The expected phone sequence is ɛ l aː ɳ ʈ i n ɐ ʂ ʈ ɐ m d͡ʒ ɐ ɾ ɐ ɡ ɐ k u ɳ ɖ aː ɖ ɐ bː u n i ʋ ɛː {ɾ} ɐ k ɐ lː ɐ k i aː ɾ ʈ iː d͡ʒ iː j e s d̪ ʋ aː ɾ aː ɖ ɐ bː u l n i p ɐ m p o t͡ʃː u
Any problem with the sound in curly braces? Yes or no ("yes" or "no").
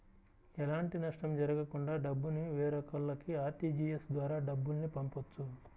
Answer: no